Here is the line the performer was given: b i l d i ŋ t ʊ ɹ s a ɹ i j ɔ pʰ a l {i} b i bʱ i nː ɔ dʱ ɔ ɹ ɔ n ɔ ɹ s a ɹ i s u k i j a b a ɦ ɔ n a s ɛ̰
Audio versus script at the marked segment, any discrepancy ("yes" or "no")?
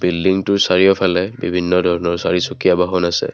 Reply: yes